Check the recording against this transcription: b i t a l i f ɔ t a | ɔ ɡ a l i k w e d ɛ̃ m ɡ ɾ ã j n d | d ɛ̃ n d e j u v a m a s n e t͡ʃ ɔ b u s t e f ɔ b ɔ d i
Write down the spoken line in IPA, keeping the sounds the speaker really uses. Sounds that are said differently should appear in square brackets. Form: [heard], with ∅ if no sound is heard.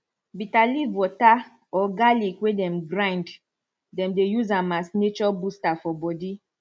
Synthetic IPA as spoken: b i t a l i [v] ɔ t a | ɔ ɡ a l i k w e d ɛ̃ m ɡ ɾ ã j n d | d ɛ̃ [m] d e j u [z] a m a s n e t͡ʃ ɔ b u s t [a] f ɔ b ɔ d i